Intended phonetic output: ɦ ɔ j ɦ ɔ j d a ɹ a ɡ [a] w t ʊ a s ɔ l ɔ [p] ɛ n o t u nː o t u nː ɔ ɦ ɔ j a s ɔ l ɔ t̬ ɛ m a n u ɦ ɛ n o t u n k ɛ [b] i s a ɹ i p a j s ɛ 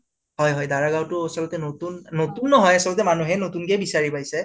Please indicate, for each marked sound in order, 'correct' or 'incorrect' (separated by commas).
correct, incorrect, correct